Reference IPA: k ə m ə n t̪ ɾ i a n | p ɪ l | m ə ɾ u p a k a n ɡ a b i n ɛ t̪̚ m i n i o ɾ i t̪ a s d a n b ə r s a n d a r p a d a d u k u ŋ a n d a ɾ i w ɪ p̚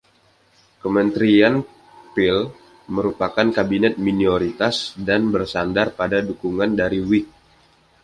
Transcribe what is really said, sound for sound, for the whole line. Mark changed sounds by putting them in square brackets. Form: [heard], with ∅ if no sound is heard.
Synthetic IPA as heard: k ə m ə n t̪ ɾ i a n | p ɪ l | m ə ɾ u p a k a n [k] a b i n ɛ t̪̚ m i n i o ɾ i t̪ a s d a n b ə r s a n d a r p a d a d u k u ŋ a n d a ɾ i w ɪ [k̚]